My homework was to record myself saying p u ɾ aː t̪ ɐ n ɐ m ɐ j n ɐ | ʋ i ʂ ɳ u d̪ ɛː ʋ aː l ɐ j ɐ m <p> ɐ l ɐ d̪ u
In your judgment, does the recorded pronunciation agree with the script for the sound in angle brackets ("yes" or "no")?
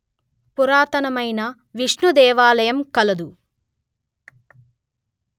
no